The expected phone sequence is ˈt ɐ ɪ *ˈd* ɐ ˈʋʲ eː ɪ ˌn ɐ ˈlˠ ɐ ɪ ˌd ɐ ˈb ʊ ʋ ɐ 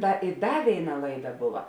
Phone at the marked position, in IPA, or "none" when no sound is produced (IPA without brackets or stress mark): d